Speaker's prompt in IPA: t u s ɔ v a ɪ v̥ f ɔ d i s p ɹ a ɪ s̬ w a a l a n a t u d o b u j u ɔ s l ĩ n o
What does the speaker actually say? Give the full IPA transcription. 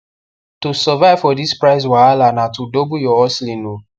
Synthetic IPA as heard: t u s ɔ v a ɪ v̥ f ɔ d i s p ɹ a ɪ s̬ w a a l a n a t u d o b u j ɔ ɔ s l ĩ n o